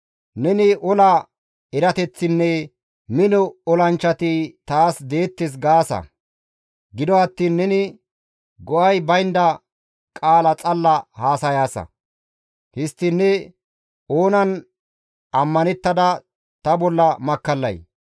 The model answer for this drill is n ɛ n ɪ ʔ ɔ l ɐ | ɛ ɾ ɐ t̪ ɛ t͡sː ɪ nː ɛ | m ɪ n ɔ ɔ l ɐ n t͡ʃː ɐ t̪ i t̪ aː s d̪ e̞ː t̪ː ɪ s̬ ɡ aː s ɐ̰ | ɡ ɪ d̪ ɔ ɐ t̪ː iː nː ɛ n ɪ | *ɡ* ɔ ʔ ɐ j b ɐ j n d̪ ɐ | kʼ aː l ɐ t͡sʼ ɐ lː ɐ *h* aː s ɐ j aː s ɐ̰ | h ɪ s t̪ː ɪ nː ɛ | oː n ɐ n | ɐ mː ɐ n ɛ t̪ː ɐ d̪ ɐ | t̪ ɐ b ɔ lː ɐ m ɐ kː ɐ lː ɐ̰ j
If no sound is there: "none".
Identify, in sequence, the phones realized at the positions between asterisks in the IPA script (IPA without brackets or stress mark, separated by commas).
ɡ, h